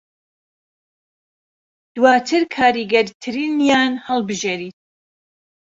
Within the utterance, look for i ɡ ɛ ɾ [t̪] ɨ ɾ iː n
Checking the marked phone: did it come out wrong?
yes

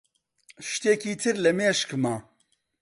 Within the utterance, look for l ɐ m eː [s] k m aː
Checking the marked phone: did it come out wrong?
yes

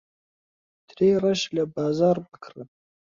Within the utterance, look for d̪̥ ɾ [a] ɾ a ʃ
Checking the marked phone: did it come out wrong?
yes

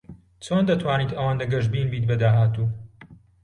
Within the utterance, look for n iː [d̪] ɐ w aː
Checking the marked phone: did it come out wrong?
yes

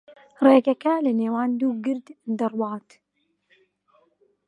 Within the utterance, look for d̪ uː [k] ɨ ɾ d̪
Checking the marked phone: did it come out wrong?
yes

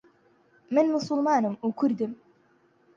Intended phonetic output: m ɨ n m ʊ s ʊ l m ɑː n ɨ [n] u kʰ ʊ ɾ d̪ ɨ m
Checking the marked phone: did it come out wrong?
yes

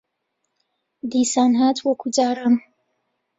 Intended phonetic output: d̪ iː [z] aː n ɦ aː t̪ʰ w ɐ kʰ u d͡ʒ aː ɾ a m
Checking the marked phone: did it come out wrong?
yes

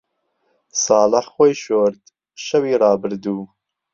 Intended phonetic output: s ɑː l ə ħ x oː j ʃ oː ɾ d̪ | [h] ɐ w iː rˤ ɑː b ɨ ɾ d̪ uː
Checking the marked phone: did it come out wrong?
yes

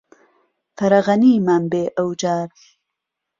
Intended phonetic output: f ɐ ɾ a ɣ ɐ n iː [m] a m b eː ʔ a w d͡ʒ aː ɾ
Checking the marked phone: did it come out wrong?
no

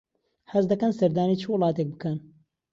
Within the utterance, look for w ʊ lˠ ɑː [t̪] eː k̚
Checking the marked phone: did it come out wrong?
no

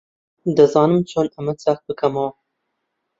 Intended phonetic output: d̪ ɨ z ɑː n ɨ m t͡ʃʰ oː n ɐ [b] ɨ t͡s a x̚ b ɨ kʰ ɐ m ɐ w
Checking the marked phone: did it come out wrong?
yes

